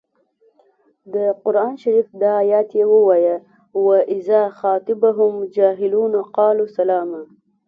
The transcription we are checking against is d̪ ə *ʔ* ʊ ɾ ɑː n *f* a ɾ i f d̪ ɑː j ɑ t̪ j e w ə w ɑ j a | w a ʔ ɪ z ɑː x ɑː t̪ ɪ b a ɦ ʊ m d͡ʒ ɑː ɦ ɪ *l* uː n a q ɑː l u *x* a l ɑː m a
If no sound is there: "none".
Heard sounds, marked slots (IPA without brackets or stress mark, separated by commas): q, ʃ, l, s